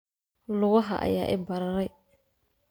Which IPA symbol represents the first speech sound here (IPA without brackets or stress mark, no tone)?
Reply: l